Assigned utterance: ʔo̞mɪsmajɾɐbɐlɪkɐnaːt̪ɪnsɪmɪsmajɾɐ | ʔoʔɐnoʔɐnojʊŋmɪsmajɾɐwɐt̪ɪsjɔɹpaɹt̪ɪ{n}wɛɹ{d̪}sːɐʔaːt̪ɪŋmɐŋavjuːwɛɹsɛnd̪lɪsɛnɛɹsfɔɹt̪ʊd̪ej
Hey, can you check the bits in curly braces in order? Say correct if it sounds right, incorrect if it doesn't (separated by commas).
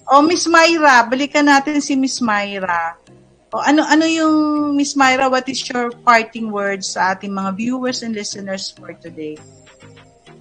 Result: incorrect, correct